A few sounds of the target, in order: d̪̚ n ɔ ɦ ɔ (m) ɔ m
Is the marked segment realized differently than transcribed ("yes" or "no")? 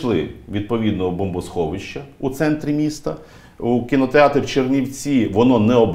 yes